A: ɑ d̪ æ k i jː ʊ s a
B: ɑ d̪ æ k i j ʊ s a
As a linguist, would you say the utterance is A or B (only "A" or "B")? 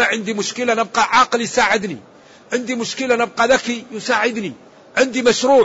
B